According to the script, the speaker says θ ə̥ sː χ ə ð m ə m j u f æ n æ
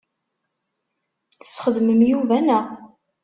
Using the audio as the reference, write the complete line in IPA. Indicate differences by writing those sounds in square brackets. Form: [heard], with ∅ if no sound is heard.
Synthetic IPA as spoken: θ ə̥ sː χ ə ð m ə m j u [v] æ n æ